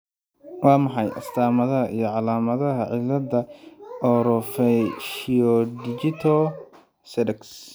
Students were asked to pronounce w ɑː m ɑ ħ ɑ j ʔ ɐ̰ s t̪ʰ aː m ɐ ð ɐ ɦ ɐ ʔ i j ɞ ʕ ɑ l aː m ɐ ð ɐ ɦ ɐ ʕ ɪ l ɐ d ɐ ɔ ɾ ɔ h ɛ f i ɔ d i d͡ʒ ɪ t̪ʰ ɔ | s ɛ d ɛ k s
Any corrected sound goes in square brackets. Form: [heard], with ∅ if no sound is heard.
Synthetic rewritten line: w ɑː m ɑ ħ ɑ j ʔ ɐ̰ s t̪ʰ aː m ɐ ð ɐ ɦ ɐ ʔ i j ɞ ʕ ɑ l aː m ɐ ð ɐ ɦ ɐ ʕ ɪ l ɐ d ɐ ɔ ɾ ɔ [f] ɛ [ʃ] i ɔ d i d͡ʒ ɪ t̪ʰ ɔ | s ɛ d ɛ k s

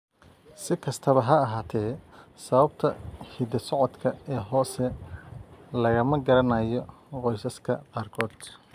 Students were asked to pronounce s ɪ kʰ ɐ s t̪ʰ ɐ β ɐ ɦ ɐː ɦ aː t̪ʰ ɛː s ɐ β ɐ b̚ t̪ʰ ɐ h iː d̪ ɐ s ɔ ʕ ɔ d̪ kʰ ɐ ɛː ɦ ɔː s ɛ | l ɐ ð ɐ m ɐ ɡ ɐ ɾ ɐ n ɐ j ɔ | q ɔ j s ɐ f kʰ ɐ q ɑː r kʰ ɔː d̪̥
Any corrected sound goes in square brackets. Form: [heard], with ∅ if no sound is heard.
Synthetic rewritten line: s ɪ kʰ ɐ s t̪ʰ ɐ β ɐ ɦ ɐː ɦ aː t̪ʰ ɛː s ɐ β ɐ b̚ t̪ʰ ɐ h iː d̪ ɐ s ɔ ʕ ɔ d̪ kʰ ɐ ɛː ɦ ɔː s ɛ | l ɐ [ɣ] ɐ m ɐ ɡ ɐ ɾ ɐ n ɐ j ɔ | q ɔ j s ɐ [s] kʰ ɐ q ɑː r kʰ ɔː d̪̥

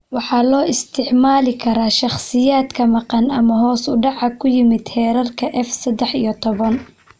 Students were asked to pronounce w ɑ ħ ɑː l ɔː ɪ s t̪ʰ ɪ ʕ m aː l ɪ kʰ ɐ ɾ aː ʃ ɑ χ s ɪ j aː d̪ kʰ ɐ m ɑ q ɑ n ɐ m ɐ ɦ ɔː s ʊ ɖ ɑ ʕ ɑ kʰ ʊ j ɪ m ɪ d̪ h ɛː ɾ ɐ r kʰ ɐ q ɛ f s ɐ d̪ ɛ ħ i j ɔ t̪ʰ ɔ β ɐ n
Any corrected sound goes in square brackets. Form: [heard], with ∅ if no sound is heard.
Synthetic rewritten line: w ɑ ħ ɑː l ɔː ɪ s t̪ʰ ɪ ʕ m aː l ɪ kʰ ɐ ɾ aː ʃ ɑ χ s ɪ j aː d̪ kʰ ɐ m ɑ q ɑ n ɐ m ɐ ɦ ɔː s ʊ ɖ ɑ ʕ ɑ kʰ ʊ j ɪ m ɪ d̪ h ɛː ɾ ɐ r kʰ ɐ [ʔ] ɛ f s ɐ d̪ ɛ ħ i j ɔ t̪ʰ ɔ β ɐ n

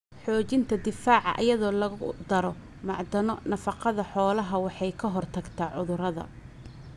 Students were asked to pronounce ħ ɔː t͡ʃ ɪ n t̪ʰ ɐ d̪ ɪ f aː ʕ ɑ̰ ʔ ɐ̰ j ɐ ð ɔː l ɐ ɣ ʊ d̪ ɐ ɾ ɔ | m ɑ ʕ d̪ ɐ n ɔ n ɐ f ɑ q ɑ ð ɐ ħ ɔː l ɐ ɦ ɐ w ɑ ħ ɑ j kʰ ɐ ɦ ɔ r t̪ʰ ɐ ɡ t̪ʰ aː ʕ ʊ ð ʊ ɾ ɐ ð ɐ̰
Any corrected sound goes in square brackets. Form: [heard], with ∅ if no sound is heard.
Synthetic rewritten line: ħ ɔː t͡ʃ ɪ n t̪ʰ ɐ d̪ ɪ f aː ʕ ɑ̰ ʔ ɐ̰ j ɐ ð ɔː l ɐ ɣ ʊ d̪ ɐ ɾ ɔ | m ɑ ʕ d̪ ɐ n ɔ n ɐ f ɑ q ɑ ð ɐ ħ ɔː l ɐ ɦ ɐ w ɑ ħ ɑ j kʰ ɐ ɦ ɔ r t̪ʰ ɐ ɡ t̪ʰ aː ʕ ʊ ð ʊ ɾ ɐ ð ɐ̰

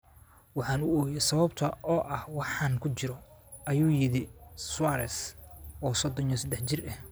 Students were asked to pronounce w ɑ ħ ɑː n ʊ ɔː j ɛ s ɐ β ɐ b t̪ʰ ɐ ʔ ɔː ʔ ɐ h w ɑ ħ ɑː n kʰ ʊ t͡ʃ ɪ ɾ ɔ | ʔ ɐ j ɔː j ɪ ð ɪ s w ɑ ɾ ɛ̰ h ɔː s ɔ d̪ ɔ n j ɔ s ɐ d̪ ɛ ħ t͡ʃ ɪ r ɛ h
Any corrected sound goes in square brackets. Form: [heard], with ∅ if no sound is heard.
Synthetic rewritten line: w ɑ ħ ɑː n ʊ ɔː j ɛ s ɐ β ɐ b t̪ʰ ɐ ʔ ɔː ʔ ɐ h w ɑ ħ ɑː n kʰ ʊ t͡ʃ ɪ ɾ ɔ | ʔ ɐ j [uː] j ɪ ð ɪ s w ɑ ɾ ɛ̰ [s] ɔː s ɔ d̪ ɔ n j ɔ s ɐ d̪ ɛ ħ t͡ʃ ɪ r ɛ h

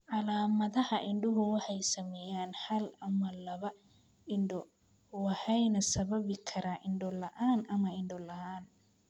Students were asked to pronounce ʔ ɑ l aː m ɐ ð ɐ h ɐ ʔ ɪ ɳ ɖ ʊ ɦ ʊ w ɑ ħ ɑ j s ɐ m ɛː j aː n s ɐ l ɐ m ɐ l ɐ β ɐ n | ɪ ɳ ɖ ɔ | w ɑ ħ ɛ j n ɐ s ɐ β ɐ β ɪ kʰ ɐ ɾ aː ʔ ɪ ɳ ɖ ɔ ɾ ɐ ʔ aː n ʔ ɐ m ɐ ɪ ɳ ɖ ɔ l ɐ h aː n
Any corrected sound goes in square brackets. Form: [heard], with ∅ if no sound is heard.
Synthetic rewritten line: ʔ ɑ l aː m ɐ ð ɐ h ɐ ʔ ɪ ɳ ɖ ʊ ɦ ʊ w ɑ ħ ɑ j s ɐ m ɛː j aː n [h] ɐ l ɐ m ɐ l ɐ β ɐ [∅] | ɪ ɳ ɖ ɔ | w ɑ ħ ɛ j n ɐ s ɐ β ɐ β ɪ kʰ ɐ ɾ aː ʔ ɪ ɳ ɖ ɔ [l] ɐ ʔ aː n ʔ ɐ m ɐ ɪ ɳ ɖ ɔ l ɐ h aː n

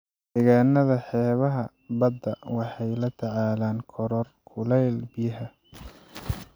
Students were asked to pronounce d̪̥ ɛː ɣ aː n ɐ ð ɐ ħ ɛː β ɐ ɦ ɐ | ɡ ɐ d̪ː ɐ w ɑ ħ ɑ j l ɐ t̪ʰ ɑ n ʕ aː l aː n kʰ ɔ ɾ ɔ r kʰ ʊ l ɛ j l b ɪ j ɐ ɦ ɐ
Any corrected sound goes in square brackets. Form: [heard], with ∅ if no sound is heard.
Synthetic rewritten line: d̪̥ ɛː ɣ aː n ɐ ð ɐ ħ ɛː β ɐ ɦ ɐ | [b] ɐ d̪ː ɐ w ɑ ħ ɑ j l ɐ t̪ʰ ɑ [∅] ʕ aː l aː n kʰ ɔ ɾ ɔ r kʰ ʊ l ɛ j l b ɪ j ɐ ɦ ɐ

